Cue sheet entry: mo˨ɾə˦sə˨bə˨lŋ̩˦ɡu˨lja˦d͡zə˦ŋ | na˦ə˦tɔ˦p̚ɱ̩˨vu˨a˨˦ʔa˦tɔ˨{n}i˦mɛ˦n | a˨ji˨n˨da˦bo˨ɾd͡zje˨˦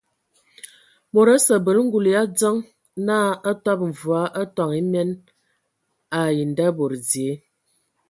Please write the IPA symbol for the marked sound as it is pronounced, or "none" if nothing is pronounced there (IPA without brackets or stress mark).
ŋ